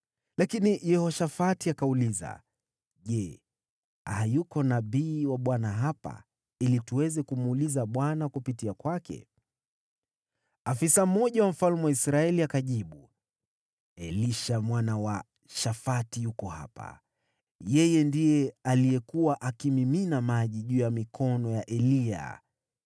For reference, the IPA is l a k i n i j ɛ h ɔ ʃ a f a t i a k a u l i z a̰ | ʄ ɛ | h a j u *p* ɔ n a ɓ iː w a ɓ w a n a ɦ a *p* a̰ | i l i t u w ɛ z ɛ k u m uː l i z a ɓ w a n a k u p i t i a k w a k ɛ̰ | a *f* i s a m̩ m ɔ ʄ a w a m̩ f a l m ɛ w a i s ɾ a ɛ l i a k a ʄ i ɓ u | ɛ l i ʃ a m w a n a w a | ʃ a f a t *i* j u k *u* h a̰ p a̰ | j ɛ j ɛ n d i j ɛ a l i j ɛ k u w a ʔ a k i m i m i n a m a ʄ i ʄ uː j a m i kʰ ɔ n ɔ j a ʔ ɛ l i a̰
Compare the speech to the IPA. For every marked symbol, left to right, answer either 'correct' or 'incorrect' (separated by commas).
incorrect, correct, correct, correct, incorrect